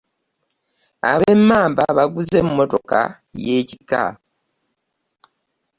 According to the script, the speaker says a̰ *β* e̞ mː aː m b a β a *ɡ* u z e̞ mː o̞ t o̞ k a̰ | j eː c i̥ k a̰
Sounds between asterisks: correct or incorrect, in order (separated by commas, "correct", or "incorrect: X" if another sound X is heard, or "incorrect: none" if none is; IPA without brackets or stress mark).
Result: correct, correct